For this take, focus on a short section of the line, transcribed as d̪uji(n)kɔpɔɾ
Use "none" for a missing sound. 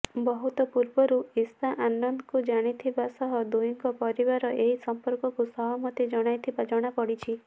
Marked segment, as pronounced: ŋ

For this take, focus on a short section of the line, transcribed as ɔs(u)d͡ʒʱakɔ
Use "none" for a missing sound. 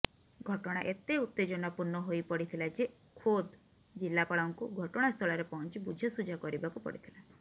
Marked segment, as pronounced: u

